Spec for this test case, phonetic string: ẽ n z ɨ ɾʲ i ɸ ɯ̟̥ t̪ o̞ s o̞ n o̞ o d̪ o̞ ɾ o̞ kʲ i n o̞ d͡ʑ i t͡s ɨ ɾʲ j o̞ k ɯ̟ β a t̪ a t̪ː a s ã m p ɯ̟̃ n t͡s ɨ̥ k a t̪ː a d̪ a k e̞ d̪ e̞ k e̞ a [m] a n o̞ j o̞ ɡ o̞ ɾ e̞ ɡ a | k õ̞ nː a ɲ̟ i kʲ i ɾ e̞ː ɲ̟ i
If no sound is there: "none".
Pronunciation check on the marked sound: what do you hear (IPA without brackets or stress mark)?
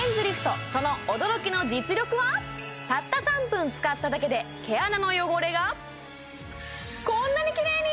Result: n